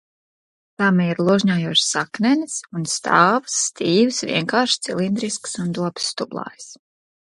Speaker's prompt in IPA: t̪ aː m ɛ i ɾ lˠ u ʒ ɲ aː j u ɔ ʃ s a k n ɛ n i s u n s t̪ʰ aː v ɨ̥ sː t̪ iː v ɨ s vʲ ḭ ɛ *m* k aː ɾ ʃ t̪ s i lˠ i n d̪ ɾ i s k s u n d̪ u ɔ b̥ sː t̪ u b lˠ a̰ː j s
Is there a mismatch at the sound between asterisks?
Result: yes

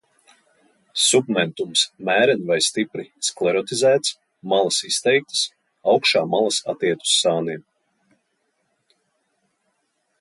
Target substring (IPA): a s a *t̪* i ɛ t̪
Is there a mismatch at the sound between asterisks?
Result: no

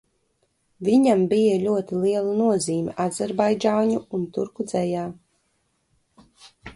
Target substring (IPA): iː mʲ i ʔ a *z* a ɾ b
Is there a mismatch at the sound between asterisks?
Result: no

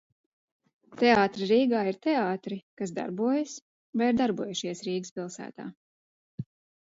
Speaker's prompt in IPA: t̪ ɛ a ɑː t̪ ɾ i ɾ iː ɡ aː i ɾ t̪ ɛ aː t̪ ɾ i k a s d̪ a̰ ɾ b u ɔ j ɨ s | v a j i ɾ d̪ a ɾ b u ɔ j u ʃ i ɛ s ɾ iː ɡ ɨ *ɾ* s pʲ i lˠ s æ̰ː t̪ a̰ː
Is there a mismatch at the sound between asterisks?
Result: yes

